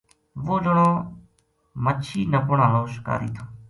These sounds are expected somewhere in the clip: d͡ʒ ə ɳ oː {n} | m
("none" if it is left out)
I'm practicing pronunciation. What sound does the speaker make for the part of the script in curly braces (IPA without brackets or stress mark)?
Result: none